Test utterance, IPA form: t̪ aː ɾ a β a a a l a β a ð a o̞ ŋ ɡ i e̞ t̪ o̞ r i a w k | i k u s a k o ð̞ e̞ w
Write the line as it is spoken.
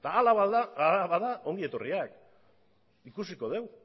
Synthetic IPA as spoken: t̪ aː l a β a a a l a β a ð a o̞ ŋ ɡ i e̞ t̪ o̞ r i a k | i k u s i k o ð̞ e̞ w